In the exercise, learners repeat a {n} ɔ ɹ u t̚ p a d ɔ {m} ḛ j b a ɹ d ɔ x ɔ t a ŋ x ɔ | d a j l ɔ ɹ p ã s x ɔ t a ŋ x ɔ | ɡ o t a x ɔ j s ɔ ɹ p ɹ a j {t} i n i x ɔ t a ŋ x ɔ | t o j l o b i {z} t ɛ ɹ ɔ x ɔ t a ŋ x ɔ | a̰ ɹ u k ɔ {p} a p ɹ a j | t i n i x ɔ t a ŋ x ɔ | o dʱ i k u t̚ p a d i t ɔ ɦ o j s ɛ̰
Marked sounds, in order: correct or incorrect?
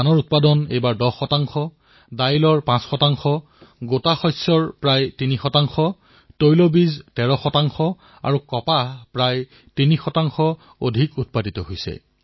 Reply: correct, incorrect: n, correct, correct, correct

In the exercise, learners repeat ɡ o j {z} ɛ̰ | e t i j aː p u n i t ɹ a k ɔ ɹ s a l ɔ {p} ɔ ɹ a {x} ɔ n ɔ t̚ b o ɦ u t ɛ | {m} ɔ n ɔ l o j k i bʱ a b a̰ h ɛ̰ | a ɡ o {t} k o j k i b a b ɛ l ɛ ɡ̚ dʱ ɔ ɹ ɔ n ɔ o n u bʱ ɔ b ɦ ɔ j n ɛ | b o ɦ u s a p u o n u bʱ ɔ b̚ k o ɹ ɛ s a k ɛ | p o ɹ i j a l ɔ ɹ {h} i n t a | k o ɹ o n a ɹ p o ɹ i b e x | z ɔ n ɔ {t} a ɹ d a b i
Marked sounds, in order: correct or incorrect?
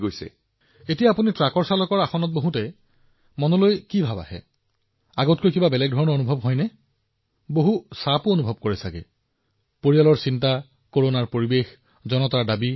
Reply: incorrect: s, incorrect: k, correct, correct, correct, incorrect: s, correct

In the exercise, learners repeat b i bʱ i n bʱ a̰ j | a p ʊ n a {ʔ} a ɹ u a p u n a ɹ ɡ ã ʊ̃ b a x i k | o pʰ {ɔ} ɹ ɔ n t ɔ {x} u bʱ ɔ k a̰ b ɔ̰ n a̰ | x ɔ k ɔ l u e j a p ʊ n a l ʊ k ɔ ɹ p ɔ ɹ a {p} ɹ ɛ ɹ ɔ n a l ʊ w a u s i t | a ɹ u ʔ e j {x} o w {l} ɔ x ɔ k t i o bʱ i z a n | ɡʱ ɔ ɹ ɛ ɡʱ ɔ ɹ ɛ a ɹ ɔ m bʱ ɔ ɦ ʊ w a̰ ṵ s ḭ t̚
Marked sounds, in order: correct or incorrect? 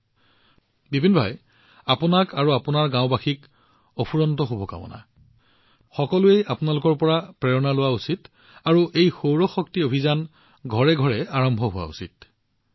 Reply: incorrect: k, incorrect: u, correct, correct, correct, incorrect: ɹ

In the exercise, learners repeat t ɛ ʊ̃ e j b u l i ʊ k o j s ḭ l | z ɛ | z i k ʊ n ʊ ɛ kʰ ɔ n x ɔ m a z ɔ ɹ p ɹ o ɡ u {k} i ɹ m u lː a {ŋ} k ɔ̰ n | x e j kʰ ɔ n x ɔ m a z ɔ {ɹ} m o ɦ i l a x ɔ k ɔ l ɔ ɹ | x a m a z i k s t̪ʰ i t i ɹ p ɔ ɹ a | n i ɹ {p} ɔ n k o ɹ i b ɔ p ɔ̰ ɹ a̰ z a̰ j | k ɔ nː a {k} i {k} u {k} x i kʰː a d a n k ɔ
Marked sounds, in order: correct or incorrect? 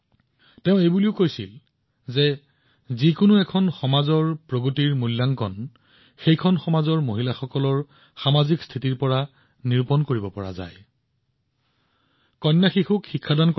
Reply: incorrect: t, correct, correct, correct, incorrect: x, incorrect: x, correct

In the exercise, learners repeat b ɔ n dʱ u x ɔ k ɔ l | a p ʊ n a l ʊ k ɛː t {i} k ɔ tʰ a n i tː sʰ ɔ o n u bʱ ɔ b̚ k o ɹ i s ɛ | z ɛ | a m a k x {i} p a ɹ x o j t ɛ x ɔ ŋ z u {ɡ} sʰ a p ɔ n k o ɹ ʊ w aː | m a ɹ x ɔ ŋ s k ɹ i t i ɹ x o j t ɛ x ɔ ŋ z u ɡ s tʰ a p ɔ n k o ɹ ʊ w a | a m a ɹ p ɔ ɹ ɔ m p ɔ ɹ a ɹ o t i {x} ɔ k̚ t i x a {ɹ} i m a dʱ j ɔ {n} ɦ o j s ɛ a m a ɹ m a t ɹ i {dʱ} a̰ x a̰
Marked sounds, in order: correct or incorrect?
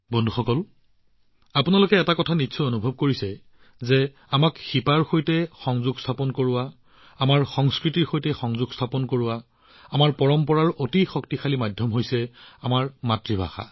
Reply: incorrect: a, correct, correct, correct, incorrect: l, incorrect: m, incorrect: bʱ

